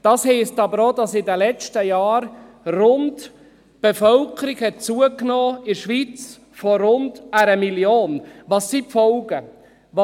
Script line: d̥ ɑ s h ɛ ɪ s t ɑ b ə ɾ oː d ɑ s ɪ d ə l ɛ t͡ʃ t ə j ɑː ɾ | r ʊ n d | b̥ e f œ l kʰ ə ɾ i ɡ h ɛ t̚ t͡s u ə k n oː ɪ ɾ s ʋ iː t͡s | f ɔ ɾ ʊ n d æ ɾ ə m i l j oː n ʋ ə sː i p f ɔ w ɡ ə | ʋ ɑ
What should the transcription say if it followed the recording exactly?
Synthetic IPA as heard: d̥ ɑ s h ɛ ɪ s t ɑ b ə ɾ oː d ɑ s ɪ d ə l ɛ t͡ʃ t ə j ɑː ɾ | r ʊ n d | b̥ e f œ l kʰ ə ɾ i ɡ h ɛ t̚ t͡s u ə k n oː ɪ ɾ ʃ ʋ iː t͡s | f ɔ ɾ ʊ n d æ ɾ ə m i l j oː n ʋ ɑ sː i p f ɔ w ɡ ə | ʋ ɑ